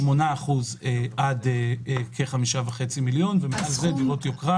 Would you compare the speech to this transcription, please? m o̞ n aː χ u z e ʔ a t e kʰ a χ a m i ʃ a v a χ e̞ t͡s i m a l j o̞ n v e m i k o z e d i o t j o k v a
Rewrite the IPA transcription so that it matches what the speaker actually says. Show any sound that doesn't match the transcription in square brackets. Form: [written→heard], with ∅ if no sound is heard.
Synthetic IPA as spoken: m o̞ n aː χ u z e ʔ a [t→d] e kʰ [a→e] χ a m i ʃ a v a χ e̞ t͡s i m [a→i] l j o̞ n v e m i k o z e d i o t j o k [v→ʁ] a